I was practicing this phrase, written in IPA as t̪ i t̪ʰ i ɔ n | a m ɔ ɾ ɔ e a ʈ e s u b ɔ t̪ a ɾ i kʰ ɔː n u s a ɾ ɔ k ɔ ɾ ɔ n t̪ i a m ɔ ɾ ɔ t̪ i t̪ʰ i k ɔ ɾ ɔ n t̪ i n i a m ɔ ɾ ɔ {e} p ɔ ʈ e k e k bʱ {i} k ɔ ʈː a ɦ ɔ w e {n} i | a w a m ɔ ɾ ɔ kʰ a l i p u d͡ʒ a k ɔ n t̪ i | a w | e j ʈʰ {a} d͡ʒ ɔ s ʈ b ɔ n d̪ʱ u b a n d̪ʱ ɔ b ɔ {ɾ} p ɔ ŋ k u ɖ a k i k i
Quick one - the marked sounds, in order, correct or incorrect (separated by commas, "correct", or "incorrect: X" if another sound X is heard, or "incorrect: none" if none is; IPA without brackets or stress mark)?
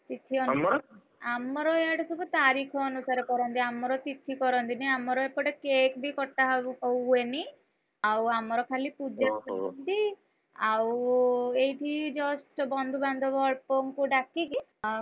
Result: correct, correct, correct, incorrect: i, incorrect: ɭ